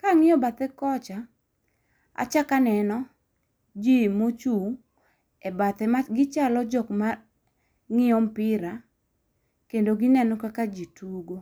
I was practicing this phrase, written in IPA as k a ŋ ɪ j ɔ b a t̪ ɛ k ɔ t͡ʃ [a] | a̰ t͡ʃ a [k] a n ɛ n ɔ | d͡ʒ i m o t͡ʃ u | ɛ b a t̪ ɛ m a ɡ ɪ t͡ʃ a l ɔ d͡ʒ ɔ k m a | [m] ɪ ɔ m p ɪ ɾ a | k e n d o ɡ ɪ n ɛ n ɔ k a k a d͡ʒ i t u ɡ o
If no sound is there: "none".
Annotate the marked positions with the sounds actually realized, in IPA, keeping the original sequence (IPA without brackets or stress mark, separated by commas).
a, k, ŋ